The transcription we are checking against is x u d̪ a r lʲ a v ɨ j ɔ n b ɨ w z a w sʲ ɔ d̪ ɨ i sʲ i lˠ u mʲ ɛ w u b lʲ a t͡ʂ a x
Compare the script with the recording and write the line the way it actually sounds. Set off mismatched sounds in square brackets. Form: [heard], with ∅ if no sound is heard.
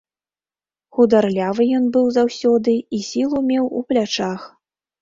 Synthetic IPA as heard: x u d̪ a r lʲ a v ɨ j ɔ n b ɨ w z a w sʲ ɔ d̪ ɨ i sʲ i lˠ u mʲ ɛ w u [p] lʲ a t͡ʂ a x